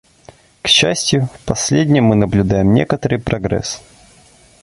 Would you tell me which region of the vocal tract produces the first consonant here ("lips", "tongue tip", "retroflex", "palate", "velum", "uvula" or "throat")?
velum